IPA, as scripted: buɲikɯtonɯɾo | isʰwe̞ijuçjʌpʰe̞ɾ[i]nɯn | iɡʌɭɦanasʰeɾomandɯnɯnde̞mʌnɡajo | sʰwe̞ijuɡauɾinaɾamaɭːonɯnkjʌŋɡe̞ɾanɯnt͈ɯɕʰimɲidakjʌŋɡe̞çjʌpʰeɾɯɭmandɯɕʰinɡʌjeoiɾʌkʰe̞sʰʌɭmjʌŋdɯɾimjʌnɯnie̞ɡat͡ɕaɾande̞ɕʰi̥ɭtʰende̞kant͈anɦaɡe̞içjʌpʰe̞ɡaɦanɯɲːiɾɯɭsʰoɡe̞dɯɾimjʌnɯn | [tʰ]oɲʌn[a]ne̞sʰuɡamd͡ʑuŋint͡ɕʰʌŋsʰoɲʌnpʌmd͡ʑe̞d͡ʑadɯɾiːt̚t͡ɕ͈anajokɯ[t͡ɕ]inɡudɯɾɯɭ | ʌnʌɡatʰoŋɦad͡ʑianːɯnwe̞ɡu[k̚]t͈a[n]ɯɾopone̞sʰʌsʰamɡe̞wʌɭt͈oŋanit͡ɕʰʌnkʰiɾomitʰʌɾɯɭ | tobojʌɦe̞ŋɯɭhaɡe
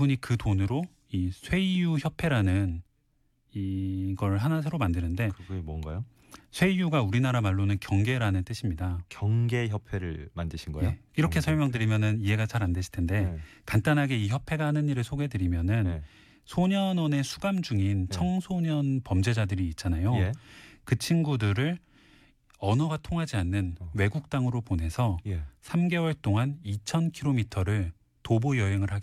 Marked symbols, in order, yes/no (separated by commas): no, no, no, no, yes, no